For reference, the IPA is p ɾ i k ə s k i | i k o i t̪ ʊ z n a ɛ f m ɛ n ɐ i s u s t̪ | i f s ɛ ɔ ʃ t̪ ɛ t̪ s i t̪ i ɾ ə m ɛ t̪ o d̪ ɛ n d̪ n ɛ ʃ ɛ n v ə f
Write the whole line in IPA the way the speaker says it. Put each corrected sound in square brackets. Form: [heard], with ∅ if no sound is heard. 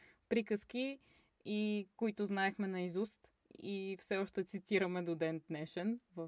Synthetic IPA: p ɾ i k ə s k i | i k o i t̪ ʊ z n a ɛ [x] m ɛ n ɐ i [z] u s t̪ | i f s ɛ ɔ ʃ t̪ ɛ t̪ s i t̪ i ɾ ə m ɛ [d̪] o d̪ ɛ n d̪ n ɛ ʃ ɛ n v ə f